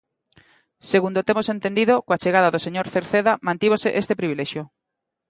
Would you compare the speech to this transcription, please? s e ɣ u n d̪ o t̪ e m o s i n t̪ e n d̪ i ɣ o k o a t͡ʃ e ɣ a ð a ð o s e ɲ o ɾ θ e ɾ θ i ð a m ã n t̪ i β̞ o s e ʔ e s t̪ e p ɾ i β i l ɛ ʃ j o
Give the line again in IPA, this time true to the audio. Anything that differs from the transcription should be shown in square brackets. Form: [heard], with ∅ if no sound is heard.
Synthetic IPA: s e ɣ u n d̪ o t̪ e m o s [e] n t̪ e n d̪ i [ð] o k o a t͡ʃ e ɣ a ð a ð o s e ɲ o ɾ θ e ɾ θ [e] ð a m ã n t̪ i β̞ o s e ʔ e s t̪ e p ɾ i β i l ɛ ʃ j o